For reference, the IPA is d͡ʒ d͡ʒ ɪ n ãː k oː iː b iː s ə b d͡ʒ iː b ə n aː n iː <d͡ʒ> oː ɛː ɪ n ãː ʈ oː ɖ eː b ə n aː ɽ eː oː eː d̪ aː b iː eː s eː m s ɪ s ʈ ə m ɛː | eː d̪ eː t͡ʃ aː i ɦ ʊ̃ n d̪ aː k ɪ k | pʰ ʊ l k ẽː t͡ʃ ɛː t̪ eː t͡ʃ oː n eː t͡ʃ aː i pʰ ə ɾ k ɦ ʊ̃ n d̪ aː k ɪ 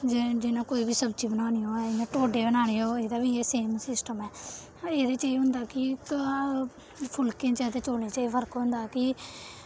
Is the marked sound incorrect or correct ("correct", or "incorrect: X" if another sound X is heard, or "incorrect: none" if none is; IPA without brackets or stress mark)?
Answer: incorrect: none